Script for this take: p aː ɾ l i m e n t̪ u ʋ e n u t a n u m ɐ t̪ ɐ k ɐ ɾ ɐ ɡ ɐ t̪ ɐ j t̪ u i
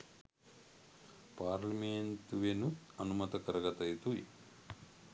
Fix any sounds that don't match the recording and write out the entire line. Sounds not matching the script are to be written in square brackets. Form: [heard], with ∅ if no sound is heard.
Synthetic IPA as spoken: p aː ɾ l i m e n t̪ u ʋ e n u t [ɐ] n u m ɐ t̪ ɐ k ɐ ɾ ɐ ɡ ɐ t̪ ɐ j t̪ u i